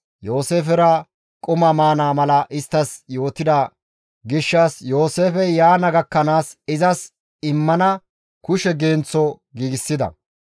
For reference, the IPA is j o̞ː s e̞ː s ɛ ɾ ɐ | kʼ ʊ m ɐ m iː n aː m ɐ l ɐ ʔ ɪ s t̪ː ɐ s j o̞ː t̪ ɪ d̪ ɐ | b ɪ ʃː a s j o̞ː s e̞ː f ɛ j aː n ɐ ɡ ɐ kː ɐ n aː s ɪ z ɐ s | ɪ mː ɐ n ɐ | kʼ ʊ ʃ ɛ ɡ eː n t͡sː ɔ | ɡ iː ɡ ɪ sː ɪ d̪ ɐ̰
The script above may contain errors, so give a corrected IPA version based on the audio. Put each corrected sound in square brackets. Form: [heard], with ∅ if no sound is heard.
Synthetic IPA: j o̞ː s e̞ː [f] ɛ ɾ ɐ | kʼ ʊ m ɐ m [aː] n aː m ɐ l ɐ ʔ ɪ s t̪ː ɐ s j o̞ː t̪ ɪ d̪ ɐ | [ɡ] ɪ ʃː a s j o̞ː s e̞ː f ɛ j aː n ɐ ɡ ɐ kː ɐ n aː s ɪ z ɐ s | ɪ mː ɐ n ɐ | [k] ʊ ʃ ɛ ɡ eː n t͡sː ɔ | ɡ iː ɡ ɪ sː ɪ d̪ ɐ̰